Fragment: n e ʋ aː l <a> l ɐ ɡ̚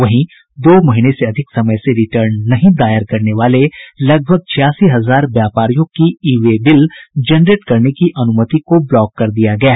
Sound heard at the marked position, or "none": e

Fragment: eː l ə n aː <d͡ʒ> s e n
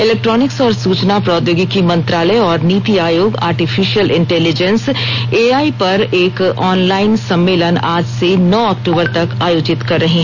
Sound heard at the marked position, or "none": d͡ʒ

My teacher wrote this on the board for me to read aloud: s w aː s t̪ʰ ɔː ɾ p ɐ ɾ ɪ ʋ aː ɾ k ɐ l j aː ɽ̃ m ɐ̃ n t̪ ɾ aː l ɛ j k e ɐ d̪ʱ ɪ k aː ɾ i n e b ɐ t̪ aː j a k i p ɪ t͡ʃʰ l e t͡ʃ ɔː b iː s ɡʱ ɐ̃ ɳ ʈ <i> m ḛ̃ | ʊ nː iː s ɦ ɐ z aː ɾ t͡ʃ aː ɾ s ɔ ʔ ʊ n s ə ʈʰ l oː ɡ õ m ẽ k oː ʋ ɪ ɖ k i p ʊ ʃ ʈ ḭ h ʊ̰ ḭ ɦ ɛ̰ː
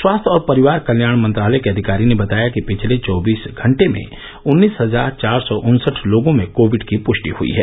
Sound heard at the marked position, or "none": e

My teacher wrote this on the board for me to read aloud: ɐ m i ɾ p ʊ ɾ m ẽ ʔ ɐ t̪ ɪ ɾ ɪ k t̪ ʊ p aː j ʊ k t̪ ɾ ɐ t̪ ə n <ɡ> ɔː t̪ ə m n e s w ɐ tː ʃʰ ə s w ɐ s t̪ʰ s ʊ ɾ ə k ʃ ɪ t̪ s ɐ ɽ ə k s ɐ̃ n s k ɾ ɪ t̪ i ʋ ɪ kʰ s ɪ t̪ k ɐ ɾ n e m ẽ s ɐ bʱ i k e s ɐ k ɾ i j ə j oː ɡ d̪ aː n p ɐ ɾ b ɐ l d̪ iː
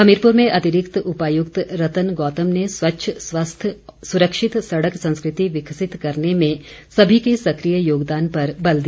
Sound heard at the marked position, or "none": ɡ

